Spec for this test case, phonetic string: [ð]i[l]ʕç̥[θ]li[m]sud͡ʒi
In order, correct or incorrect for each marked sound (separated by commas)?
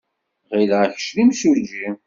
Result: incorrect, correct, incorrect, correct